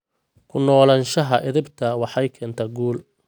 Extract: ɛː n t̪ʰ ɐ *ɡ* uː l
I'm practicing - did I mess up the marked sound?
no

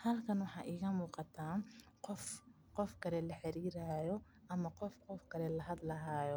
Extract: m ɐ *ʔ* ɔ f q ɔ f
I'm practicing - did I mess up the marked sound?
yes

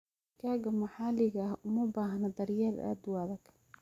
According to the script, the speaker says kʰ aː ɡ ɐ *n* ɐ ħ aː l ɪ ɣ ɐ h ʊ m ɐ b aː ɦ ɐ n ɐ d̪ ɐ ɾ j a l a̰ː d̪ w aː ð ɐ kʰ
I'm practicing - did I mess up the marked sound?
yes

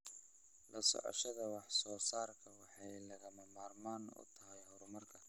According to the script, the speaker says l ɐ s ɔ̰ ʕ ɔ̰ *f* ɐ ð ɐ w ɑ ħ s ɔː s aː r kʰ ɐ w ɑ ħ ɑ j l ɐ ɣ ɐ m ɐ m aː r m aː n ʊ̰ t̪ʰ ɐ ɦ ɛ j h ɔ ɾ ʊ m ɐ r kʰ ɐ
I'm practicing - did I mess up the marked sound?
yes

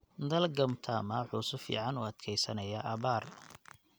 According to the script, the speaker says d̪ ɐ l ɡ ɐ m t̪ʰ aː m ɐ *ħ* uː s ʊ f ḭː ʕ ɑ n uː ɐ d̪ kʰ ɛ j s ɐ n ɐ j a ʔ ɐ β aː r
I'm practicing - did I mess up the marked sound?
no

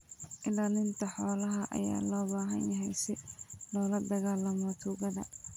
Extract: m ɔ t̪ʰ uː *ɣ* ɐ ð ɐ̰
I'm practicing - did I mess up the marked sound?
no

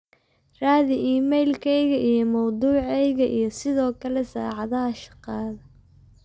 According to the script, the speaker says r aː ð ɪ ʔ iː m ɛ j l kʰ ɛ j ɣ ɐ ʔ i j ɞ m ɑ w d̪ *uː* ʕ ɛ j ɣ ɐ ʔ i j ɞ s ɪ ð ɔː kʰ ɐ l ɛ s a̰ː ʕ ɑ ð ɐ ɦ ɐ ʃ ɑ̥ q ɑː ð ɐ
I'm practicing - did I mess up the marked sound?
no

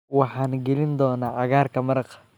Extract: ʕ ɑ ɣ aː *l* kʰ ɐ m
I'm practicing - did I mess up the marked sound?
yes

